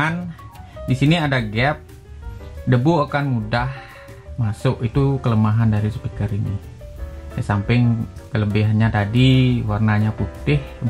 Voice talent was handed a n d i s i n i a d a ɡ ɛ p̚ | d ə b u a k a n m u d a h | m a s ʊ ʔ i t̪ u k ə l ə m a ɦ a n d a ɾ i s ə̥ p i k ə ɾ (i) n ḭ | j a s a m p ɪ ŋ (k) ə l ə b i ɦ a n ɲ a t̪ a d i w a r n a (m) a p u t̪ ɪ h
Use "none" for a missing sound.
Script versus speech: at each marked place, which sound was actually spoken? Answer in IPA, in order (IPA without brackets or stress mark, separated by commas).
i, k, ɲ